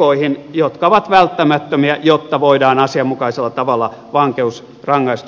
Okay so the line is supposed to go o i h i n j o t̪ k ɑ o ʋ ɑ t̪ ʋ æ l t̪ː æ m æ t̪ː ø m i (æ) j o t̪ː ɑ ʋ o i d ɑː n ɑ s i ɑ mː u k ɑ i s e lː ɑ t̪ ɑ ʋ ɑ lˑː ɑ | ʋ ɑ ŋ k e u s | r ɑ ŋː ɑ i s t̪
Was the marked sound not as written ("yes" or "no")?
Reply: no